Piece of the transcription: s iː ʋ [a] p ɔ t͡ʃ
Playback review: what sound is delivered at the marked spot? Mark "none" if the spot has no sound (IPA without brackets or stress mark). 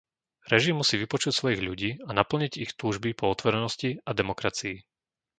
i